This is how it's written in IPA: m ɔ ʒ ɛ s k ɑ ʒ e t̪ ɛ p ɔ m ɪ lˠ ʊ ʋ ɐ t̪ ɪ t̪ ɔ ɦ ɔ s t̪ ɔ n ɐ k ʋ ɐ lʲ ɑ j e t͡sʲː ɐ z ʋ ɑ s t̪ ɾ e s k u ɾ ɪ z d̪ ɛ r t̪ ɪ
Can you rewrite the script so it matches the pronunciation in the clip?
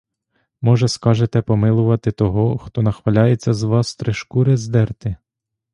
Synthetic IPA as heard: m ɔ ʒ ɛ s k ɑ ʒ e t̪ ɛ p ɔ m ɪ lˠ ʊ ʋ ɐ t̪ ɪ t̪ ɔ ɦ ɔ x t̪ ɔ n ɐ x ʋ ɐ lʲ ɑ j e t͡sʲː ɐ z ʋ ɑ s t̪ ɾ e ʃ k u ɾ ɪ z d̪ ɛ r t̪ ɪ